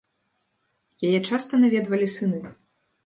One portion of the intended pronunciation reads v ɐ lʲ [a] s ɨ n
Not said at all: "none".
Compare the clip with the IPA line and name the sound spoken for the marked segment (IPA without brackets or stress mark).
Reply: i